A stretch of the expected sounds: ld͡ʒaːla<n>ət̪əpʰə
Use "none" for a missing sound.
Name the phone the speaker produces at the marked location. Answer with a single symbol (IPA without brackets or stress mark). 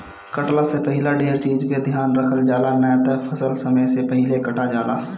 n